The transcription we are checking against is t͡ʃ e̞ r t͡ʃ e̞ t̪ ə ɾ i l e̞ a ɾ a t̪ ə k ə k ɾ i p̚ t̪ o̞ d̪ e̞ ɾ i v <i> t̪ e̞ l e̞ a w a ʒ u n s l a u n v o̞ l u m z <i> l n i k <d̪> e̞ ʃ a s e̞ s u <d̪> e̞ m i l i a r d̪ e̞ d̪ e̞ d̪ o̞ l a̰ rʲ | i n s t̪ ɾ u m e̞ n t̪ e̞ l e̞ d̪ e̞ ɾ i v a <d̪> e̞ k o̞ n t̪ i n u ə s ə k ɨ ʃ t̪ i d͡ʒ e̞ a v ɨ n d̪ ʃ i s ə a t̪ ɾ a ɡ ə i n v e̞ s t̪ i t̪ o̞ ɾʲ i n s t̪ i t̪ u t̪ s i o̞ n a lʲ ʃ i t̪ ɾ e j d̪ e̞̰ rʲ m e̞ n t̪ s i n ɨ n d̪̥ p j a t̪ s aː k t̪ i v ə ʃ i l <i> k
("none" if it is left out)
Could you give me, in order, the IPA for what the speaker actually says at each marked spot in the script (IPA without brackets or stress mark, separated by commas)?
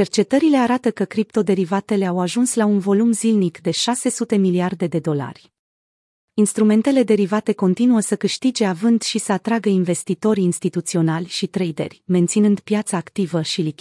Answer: a, i, d̪, t̪, t̪, i